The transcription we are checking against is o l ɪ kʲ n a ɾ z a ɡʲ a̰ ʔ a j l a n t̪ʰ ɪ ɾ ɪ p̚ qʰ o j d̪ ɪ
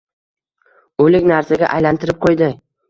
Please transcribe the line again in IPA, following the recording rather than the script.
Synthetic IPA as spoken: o l ɪ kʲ n a ɾ s a ɡʲ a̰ ʔ a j l a n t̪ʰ ɪ ɾ ɪ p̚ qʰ o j d̪ ɪ